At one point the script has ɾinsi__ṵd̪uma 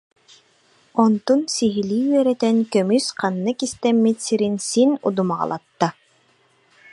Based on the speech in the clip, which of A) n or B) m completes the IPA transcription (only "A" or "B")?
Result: A